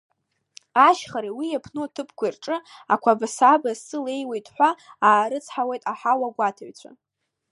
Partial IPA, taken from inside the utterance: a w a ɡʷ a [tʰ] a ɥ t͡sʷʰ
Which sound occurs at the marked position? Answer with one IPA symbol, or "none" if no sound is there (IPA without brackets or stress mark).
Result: tʰ